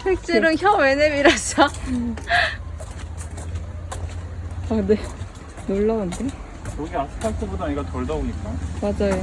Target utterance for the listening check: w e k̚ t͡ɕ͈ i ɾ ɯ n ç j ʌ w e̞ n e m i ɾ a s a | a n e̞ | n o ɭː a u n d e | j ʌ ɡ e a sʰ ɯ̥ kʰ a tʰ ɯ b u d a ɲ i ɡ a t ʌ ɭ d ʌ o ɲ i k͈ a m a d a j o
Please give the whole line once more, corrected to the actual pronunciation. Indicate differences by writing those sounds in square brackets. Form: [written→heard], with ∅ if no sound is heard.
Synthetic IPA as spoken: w e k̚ t͡ɕ͈ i ɾ ɯ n ç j ʌ w e̞ n e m i ɾ a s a | a n e̞ | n o ɭː a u n d e | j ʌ ɡ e a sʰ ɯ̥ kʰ a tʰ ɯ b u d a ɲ i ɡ a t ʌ ɭ d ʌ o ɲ i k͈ a m a [d→d͡ʑ] a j o